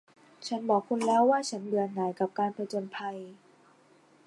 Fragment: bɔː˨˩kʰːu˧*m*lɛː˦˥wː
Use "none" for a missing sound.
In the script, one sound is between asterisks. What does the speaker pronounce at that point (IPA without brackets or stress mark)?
n